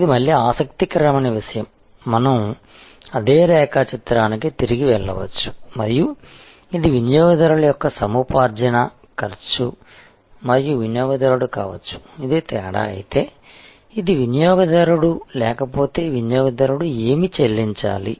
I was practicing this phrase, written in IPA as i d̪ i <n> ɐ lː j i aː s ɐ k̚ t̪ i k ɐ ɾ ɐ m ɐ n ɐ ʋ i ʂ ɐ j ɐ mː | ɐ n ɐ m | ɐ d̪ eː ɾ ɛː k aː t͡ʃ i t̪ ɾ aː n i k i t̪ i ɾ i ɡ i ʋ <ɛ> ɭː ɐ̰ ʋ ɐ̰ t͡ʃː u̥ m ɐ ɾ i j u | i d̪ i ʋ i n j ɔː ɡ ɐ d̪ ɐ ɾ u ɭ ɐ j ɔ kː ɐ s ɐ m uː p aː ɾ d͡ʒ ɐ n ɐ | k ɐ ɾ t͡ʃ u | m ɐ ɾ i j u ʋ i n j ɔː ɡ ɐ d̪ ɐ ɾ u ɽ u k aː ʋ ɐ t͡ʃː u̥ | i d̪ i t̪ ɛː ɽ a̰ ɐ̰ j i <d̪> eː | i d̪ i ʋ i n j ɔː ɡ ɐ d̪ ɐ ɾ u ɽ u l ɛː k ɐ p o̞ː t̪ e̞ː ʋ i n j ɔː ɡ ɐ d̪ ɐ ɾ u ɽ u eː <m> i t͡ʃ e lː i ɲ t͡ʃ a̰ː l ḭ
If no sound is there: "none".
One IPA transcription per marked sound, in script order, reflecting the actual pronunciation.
m, ɛ, t̪, m

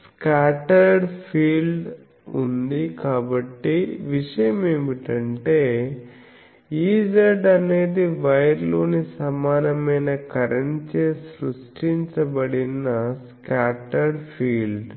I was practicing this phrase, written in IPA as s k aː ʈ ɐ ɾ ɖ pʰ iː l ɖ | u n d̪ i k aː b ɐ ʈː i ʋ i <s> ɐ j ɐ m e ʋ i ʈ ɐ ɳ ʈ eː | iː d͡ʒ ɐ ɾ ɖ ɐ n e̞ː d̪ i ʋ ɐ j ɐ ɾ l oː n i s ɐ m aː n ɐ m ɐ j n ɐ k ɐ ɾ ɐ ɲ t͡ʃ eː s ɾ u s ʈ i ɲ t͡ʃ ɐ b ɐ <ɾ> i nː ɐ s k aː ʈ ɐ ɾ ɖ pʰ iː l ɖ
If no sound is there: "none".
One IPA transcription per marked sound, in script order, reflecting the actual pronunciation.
ʂ, ɽ

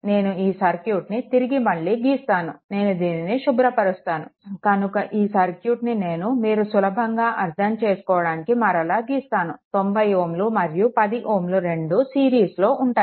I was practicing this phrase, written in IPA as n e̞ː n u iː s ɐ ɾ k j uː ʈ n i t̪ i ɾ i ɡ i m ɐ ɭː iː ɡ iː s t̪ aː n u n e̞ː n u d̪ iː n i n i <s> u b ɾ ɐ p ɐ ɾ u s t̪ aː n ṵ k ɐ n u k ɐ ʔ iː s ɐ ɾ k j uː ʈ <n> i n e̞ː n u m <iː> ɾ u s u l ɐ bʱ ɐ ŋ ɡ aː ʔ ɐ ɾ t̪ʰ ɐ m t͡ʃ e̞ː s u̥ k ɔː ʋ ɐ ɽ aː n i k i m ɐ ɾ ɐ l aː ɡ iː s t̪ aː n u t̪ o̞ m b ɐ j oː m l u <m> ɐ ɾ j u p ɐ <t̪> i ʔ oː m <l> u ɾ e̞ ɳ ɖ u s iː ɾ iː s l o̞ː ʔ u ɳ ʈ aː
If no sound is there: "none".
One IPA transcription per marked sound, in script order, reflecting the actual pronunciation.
ʃ, n, iː, m, d̪, l

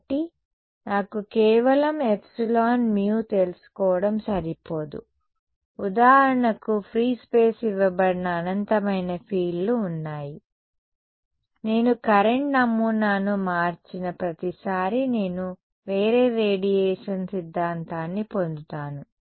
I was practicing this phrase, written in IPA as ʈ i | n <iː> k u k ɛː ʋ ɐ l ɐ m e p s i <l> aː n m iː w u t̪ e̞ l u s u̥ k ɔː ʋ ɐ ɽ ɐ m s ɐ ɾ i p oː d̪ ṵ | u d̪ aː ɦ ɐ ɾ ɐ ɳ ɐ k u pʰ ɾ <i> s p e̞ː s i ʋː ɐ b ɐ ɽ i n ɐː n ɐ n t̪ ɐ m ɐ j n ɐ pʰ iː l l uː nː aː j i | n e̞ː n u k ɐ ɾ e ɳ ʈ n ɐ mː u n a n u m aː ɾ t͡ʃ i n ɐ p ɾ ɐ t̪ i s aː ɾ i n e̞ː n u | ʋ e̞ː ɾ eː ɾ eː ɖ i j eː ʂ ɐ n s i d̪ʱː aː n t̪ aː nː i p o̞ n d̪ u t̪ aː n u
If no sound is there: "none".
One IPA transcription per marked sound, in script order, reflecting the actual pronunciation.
aː, l, iː

